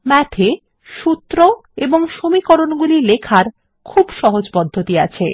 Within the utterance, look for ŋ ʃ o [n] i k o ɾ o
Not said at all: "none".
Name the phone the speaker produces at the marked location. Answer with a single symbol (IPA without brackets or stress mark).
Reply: m